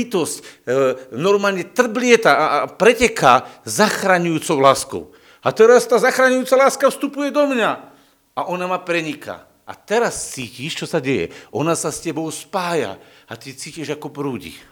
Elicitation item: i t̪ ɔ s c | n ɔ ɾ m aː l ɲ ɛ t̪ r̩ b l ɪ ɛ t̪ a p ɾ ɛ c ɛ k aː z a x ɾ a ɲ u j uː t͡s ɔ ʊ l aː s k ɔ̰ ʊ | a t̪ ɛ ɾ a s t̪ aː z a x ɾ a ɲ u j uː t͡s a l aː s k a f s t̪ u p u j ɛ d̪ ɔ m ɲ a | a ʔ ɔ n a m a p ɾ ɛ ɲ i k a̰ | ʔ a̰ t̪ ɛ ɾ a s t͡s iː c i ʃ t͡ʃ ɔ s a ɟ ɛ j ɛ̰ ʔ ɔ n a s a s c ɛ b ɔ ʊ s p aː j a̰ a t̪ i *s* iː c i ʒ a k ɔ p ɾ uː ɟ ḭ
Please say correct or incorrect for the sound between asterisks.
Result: incorrect